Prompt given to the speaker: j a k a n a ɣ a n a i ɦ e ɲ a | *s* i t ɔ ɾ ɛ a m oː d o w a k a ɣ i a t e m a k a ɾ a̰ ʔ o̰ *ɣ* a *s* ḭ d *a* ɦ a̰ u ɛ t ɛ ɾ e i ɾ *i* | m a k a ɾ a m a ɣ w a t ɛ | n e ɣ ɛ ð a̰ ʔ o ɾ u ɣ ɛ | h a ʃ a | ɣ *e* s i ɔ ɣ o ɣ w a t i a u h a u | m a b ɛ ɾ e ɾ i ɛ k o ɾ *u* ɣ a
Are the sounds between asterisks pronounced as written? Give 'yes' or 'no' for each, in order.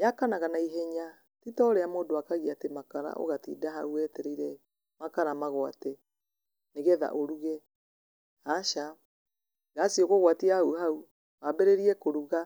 no, yes, no, yes, no, no, yes

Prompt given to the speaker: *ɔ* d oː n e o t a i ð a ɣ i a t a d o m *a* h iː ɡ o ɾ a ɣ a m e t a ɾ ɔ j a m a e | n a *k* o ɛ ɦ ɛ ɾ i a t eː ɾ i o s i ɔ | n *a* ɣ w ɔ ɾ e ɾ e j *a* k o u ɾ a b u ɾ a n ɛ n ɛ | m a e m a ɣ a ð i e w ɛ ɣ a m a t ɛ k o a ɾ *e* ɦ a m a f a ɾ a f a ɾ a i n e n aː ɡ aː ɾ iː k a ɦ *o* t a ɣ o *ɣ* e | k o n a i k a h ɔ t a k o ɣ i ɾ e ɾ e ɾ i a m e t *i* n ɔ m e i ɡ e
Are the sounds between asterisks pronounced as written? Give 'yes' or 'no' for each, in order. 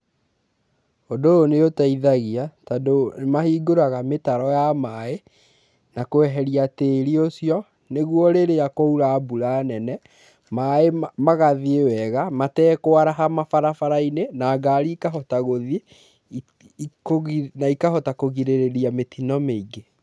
no, yes, yes, no, yes, no, no, no, yes

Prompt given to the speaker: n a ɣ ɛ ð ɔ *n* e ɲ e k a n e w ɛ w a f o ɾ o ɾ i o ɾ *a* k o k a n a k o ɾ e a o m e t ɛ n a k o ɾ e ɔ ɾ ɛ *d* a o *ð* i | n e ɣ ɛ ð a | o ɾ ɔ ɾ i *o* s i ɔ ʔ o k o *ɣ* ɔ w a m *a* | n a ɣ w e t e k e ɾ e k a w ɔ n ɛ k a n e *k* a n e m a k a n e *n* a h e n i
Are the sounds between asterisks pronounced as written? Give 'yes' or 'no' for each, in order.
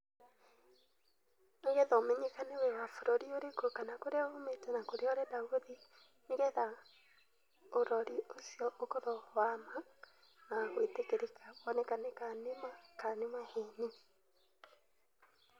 no, no, yes, yes, yes, no, yes, yes, no

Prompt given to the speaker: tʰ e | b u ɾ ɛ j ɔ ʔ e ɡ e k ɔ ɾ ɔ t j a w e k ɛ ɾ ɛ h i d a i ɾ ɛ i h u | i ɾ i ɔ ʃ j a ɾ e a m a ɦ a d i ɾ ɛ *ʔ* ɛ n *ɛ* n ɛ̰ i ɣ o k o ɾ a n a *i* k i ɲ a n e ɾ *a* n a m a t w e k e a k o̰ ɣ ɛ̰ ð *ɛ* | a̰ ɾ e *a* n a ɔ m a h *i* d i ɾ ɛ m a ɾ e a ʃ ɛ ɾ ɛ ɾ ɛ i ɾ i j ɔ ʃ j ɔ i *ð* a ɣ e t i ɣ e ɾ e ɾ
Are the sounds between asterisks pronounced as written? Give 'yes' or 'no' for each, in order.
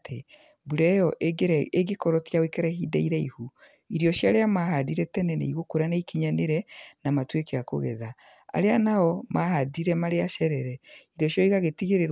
no, yes, yes, no, no, yes, no, no

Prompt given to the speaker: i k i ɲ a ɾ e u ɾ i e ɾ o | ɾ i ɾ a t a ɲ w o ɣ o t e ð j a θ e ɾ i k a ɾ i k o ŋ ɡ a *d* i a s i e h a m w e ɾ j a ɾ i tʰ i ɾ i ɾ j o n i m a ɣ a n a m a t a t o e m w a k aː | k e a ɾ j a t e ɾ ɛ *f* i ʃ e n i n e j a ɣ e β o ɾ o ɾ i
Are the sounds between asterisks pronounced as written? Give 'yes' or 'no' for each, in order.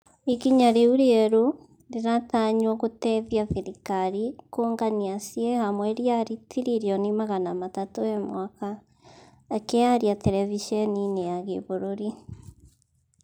no, no

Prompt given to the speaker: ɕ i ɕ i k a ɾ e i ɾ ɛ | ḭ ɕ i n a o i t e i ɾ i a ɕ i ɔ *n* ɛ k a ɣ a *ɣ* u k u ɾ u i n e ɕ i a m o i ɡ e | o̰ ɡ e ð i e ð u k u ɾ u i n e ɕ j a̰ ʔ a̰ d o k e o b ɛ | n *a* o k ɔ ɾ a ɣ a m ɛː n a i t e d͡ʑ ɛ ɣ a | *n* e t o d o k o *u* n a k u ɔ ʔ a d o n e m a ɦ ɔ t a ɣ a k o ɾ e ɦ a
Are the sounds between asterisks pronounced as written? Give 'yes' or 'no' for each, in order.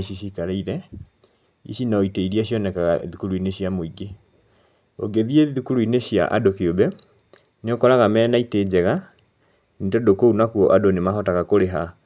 yes, no, no, yes, yes

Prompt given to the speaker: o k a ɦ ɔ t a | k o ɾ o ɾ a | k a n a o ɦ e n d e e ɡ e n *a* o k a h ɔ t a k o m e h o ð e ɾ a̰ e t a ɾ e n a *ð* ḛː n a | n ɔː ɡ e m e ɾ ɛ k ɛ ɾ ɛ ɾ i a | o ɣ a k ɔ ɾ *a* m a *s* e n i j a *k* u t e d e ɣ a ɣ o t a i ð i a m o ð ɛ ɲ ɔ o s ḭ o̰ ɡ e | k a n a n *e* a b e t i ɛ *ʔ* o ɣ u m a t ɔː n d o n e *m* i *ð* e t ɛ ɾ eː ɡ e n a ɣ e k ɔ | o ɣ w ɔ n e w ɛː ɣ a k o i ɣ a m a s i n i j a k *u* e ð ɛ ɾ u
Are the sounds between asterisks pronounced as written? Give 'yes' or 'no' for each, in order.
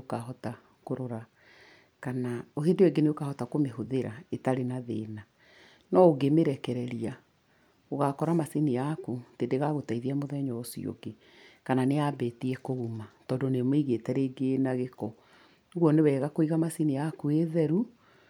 no, yes, yes, yes, yes, yes, no, yes, no, yes

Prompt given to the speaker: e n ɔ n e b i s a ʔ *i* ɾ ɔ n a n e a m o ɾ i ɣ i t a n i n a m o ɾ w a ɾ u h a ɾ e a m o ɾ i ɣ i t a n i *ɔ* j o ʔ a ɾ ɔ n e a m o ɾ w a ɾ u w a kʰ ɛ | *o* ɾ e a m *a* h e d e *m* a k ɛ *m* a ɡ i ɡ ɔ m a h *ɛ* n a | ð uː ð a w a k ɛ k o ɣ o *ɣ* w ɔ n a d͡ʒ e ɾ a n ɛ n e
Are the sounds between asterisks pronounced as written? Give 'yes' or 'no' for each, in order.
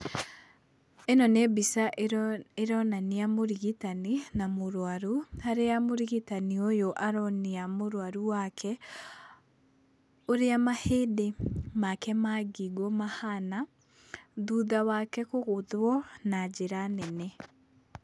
no, no, yes, yes, yes, yes, no, no

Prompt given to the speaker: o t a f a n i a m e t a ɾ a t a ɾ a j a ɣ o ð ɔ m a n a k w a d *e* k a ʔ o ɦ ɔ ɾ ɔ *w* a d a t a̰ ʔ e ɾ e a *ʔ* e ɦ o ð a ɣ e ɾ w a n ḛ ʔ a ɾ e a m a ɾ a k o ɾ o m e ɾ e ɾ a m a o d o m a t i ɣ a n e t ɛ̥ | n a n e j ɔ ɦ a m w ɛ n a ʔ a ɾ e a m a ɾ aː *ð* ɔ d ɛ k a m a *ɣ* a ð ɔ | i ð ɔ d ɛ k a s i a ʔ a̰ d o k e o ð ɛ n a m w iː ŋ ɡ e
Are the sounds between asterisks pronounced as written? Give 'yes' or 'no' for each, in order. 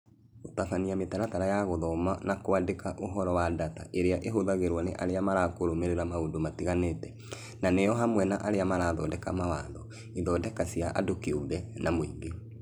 yes, yes, yes, yes, no

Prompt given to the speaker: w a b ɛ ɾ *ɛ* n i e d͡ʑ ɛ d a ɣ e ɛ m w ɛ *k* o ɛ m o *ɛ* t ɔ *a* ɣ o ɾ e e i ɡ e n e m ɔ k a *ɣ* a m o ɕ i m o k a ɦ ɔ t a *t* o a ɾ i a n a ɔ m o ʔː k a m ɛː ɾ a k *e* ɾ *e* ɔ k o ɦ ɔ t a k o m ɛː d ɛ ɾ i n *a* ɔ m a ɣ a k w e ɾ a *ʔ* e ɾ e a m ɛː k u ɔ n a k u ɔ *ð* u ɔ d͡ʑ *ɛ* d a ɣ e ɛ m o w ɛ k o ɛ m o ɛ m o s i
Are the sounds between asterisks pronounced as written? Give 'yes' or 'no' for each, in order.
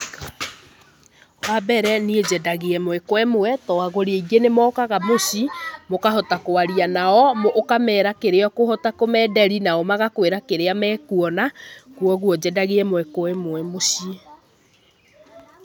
yes, yes, yes, yes, yes, no, yes, yes, yes, no, no, yes

